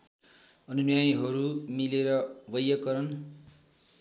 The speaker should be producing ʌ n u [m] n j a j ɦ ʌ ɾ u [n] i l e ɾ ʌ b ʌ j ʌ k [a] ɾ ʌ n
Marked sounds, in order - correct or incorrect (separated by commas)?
incorrect, incorrect, incorrect